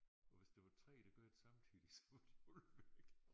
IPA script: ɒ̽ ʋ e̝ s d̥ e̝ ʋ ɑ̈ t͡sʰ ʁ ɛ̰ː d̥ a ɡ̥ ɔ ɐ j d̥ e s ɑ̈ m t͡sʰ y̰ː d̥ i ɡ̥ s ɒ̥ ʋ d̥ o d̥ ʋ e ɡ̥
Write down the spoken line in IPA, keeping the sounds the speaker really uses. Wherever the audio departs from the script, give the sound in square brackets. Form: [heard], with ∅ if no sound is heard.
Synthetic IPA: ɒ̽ ʋ e̝ s d̥ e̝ ʋ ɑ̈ t͡sʰ ʁ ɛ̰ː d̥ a ɡ̥ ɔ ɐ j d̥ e s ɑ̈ m t͡sʰ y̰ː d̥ i [∅] s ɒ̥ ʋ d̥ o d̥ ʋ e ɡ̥